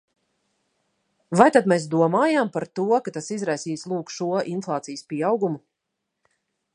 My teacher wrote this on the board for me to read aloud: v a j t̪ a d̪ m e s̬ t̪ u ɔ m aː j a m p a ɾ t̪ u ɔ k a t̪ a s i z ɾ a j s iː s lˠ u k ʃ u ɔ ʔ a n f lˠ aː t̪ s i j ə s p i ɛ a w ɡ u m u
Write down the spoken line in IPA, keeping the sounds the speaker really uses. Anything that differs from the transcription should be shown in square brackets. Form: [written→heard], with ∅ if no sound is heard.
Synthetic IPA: v a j t̪ a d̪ m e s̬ [t̪→d̪] u ɔ m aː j a m p a ɾ t̪ u ɔ k a t̪ a s i z ɾ a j s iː s lˠ [u→uː] k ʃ u ɔ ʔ [a→i] n f lˠ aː t̪ s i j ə s p i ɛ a w ɡ u m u